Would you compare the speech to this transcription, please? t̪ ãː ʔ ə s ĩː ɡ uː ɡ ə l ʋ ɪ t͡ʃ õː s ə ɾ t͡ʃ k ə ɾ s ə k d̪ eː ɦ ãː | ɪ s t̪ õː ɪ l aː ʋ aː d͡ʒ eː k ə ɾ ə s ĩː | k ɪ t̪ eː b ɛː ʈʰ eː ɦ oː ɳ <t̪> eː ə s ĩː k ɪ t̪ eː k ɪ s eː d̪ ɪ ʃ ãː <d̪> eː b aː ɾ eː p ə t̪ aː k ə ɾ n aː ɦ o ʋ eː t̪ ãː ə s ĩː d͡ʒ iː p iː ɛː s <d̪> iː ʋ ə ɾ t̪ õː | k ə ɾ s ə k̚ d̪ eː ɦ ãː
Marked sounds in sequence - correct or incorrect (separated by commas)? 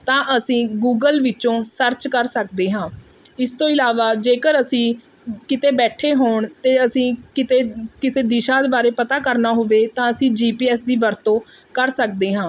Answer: correct, correct, correct